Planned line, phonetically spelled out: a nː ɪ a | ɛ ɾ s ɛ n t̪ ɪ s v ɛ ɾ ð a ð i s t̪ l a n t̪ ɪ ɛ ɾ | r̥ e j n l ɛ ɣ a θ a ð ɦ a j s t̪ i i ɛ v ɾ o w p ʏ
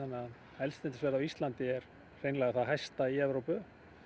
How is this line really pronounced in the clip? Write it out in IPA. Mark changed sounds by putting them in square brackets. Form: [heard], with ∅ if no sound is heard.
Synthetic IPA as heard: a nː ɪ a | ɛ [l] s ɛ n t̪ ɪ s v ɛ ɾ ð a [v] i s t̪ l a n t̪ ɪ ɛ ɾ | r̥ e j n l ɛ ɣ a θ a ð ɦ a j s t̪ [a] i ɛ v ɾ o w p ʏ